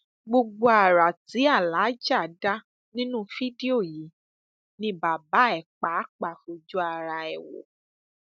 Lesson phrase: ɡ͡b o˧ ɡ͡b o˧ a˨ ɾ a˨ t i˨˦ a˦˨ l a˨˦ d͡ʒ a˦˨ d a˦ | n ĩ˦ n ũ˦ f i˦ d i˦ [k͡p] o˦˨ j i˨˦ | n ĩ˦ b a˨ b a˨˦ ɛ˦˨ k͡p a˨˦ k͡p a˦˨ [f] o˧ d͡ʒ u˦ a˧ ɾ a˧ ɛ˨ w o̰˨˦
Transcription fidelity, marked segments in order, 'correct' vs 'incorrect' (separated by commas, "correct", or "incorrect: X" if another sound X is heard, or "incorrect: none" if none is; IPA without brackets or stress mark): incorrect: none, correct